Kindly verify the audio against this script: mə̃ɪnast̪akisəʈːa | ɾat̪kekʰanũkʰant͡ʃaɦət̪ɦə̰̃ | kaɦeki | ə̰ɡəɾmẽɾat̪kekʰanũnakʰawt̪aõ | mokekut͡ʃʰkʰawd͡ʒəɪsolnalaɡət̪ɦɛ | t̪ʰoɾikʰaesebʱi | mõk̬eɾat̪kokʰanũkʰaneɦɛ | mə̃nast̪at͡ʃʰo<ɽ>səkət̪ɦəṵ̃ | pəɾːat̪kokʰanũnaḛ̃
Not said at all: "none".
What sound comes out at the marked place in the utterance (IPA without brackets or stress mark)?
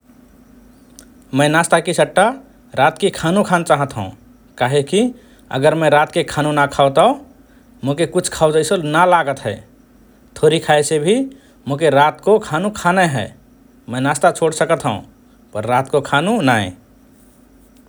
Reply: ɽ